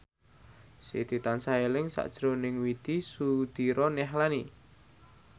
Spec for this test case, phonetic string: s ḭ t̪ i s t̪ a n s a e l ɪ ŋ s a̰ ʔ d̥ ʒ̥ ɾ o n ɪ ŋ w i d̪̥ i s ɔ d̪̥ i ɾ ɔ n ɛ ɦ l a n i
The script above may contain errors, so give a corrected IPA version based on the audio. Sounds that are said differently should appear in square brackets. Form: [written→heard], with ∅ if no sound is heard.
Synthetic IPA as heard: s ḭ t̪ i [s→∅] t̪ a n s a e l ɪ ŋ s a̰ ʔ d̥ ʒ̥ ɾ o n ɪ ŋ w i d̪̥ i s [ɔ→u] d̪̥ i ɾ ɔ n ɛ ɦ l a n i